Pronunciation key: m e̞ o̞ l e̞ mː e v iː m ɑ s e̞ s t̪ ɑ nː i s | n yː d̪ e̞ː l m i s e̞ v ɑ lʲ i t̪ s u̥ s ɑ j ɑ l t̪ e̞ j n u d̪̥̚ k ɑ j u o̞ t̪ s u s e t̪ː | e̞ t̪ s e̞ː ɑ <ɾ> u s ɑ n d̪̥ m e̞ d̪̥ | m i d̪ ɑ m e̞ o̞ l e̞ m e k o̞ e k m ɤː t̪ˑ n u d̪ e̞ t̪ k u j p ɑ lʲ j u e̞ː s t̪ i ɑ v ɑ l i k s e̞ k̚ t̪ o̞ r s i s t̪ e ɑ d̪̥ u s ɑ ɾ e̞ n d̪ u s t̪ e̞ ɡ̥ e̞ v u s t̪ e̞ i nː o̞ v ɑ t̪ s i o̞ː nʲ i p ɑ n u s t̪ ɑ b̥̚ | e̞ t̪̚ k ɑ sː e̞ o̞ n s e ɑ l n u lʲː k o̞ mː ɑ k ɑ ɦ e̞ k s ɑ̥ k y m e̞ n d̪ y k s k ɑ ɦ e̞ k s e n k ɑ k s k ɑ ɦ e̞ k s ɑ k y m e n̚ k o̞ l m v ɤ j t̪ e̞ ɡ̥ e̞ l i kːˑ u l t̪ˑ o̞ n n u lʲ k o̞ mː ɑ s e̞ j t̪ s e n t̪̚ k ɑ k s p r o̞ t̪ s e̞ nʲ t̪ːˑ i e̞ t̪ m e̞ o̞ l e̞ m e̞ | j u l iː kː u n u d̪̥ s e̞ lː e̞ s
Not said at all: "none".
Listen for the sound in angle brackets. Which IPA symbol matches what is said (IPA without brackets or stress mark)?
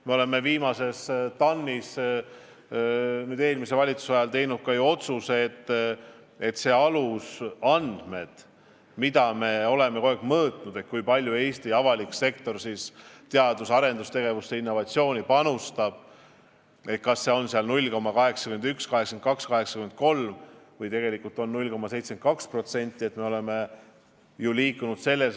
l